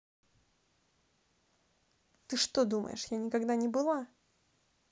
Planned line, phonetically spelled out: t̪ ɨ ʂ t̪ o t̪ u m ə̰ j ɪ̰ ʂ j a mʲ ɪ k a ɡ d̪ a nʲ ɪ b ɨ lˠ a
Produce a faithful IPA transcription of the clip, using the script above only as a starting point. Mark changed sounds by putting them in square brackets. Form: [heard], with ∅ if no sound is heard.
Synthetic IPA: t̪ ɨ ʂ t̪ o [d̪] u m ə̰ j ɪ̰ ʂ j a [nʲ] ɪ k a ɡ d̪ a nʲ ɪ b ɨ lˠ a